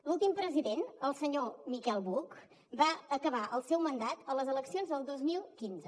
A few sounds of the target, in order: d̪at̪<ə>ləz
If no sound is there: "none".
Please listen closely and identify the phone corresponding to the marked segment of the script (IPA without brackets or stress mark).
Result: ə